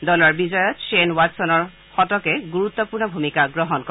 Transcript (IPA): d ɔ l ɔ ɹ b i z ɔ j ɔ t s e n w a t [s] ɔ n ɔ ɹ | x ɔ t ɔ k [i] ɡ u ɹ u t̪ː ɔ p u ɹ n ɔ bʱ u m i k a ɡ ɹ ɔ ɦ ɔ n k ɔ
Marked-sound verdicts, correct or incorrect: correct, incorrect

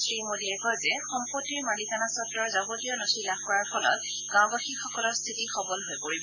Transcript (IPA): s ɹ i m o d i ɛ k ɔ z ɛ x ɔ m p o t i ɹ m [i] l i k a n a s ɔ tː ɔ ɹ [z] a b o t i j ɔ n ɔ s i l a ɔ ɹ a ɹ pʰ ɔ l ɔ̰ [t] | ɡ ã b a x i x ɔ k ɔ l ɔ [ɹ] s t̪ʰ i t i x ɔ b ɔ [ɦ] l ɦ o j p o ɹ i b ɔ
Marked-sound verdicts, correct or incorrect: incorrect, correct, correct, correct, incorrect

